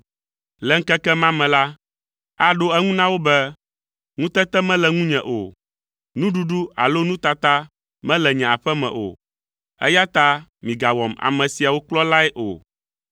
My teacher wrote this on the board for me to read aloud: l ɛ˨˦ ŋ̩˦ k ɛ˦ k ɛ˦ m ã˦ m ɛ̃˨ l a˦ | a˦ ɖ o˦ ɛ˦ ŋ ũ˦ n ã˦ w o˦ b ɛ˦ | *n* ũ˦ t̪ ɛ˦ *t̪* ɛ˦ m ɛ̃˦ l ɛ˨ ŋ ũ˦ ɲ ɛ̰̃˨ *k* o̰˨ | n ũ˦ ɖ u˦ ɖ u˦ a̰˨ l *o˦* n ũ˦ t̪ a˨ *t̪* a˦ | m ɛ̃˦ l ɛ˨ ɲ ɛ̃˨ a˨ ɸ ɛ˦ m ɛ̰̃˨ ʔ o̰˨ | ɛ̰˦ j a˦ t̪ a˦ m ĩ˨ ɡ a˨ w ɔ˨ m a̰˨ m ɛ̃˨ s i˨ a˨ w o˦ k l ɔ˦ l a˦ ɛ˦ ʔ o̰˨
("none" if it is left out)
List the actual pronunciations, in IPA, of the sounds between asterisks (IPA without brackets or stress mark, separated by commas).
ŋ, t̪, ʔ, o˦, t̪